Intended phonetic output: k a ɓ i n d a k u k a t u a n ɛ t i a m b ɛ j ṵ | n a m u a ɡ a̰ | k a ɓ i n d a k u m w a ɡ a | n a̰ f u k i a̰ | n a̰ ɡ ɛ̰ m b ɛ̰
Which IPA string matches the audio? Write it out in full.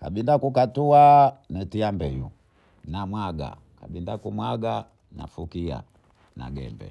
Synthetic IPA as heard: k a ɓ i n d a k u k a t u a n ɛ t i a m b ɛ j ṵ | n a m w a ɡ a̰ | k a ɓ i n d a k u m w a ɡ a | n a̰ f u k i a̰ | n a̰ ɡ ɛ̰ m b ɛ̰